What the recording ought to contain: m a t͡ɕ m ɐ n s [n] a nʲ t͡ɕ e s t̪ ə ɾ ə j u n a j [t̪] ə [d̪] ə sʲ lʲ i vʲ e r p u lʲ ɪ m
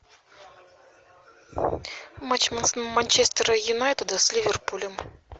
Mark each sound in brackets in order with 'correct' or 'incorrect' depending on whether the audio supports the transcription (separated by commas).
incorrect, correct, correct